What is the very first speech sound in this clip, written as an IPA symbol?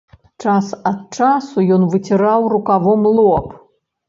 t͡ʂ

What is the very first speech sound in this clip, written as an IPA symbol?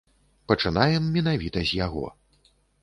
p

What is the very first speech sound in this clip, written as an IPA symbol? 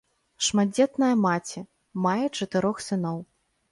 ʂ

